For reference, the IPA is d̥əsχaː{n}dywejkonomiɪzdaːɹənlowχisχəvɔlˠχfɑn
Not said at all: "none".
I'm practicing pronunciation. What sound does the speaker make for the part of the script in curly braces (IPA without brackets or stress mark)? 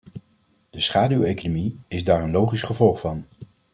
none